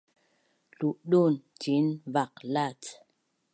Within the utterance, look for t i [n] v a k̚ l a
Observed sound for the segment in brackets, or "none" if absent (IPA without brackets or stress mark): n